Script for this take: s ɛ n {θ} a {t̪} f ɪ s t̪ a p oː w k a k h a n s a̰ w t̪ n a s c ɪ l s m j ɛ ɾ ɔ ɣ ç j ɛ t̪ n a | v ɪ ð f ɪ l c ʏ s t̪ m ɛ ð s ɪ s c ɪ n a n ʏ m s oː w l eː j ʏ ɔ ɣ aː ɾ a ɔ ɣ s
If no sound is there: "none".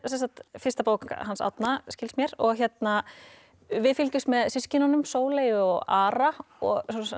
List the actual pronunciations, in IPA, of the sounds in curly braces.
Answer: s, t̪

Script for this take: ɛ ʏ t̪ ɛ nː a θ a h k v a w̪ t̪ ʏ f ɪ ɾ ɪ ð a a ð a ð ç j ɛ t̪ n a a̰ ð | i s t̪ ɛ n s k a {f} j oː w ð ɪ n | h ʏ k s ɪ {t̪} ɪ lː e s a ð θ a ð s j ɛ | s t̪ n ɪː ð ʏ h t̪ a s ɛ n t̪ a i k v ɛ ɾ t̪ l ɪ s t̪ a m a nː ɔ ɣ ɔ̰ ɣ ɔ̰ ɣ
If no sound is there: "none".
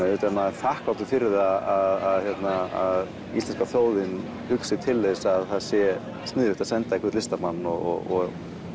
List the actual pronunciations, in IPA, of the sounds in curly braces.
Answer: θ, t̪ʰ

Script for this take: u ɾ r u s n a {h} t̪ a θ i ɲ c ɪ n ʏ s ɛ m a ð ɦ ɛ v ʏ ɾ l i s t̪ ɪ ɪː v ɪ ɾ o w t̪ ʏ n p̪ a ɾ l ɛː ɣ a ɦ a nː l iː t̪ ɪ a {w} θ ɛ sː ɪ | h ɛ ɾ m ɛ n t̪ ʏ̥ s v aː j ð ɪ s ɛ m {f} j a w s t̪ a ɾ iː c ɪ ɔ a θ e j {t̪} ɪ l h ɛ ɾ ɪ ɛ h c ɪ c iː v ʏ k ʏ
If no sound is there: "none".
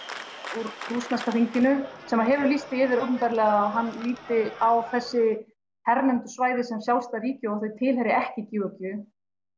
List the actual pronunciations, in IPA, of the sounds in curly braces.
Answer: s, w, s, t̪ʰ

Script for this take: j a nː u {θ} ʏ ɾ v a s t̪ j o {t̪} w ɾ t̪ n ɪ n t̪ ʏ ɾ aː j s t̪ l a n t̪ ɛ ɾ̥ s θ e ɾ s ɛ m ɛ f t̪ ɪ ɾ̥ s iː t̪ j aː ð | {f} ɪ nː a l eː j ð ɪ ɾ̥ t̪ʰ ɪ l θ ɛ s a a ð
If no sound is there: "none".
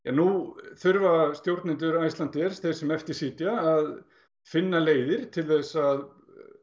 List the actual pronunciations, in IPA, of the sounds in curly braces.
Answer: θ, none, f

